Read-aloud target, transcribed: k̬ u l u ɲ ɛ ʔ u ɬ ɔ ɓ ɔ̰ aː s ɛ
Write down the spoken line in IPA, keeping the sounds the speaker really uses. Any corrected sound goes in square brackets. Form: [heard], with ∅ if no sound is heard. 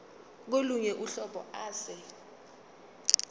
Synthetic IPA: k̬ [o] l u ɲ ɛ ʔ u ɬ ɔ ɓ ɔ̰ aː s ɛ